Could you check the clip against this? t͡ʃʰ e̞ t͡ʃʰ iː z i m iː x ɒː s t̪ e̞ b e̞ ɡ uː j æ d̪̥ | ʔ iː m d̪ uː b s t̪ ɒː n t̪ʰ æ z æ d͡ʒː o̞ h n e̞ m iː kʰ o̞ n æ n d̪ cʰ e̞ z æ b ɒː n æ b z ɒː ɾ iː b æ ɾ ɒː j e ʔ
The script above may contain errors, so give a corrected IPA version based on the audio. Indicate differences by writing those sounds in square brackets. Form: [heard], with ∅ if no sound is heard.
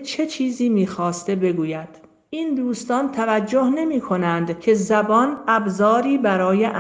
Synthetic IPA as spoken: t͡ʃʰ e̞ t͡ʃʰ iː z [iː] m iː x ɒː s t̪ e̞ b e̞ ɡ uː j æ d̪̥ | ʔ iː [n] d̪ uː [∅] s t̪ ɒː n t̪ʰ æ [v] æ d͡ʒː o̞ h n e̞ m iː kʰ o̞ n æ n d̪ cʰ e̞ z æ b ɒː n æ b z ɒː ɾ iː b æ ɾ ɒː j e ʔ